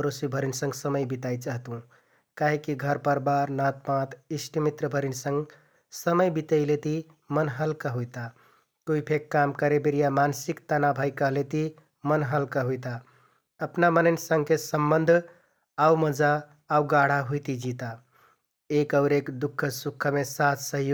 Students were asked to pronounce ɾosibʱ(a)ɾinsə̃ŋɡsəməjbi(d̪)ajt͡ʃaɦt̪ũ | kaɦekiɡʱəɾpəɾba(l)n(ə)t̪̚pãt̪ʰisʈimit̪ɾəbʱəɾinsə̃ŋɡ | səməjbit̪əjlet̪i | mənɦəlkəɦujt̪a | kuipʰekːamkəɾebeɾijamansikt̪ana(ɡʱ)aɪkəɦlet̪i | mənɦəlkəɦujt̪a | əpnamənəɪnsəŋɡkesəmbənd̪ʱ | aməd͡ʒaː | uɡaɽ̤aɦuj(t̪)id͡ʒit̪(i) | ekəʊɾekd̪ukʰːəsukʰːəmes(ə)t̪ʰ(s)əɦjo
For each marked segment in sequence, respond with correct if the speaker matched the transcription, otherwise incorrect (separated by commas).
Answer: incorrect, incorrect, incorrect, incorrect, incorrect, correct, incorrect, incorrect, correct